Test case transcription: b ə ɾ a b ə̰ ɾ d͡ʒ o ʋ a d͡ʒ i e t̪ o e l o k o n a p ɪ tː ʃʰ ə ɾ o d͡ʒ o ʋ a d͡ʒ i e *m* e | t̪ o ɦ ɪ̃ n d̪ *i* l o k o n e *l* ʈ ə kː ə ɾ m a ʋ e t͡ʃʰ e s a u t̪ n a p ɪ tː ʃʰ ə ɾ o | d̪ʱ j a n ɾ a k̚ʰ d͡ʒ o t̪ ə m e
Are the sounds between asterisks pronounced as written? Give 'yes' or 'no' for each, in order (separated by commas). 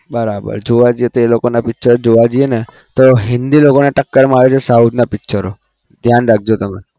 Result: no, yes, no